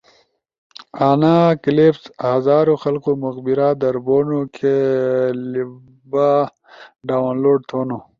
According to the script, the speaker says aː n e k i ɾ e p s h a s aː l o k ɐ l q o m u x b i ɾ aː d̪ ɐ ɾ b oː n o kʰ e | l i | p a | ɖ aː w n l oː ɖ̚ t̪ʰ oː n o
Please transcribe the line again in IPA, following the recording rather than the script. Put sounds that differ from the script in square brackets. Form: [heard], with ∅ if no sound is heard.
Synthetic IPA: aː n [a] k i [l] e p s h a [z] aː [ɾ] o [x] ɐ l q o m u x b i ɾ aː d̪ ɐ ɾ b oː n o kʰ e | l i | [b] a | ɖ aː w n l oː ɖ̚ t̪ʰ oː n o